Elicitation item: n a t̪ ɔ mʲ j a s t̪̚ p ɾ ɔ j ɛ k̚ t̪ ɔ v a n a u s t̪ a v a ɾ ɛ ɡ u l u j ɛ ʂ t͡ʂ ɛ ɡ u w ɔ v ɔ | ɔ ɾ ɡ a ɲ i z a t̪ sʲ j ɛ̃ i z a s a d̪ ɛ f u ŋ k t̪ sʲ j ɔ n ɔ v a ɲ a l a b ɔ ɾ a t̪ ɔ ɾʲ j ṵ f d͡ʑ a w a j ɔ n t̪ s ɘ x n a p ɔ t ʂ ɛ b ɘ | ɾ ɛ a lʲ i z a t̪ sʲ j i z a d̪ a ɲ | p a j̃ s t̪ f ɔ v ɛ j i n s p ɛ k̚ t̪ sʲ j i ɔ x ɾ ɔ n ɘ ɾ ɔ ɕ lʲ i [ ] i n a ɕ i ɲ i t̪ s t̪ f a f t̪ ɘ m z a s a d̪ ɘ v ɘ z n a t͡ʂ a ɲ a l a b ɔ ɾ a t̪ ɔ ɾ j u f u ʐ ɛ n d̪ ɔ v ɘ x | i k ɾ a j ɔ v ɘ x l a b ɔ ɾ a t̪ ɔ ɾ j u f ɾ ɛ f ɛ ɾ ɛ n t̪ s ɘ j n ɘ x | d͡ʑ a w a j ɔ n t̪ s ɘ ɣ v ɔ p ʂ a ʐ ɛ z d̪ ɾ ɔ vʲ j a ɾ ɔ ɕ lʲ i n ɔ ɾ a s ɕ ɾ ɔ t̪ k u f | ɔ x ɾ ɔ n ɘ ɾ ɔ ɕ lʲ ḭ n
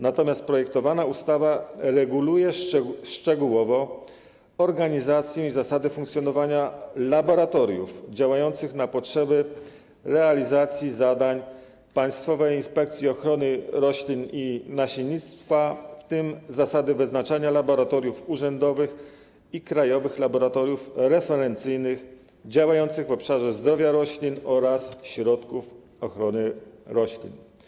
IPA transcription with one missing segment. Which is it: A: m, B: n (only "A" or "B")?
B